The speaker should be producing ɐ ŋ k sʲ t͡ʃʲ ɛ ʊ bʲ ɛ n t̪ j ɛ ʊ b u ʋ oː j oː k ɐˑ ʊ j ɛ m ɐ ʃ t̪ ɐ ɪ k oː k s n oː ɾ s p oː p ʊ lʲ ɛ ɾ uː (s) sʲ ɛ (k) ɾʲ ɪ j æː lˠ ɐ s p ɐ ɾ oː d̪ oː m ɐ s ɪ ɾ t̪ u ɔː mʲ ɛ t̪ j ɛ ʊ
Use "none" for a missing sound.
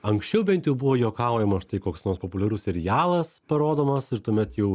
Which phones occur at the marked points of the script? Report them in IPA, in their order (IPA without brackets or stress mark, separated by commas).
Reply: s, none